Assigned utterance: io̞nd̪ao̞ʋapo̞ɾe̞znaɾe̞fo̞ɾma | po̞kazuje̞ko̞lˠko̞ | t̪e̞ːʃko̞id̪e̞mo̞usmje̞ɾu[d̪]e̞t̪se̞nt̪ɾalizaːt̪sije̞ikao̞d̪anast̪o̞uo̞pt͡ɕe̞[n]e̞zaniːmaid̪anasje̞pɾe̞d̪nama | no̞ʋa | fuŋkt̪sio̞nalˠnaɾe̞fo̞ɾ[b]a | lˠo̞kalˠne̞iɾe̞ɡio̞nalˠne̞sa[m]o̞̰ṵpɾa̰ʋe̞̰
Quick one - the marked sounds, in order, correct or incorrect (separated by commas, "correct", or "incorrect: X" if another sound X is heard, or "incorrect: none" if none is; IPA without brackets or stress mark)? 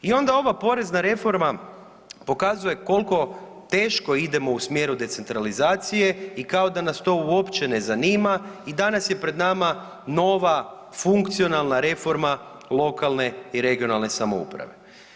correct, correct, incorrect: m, correct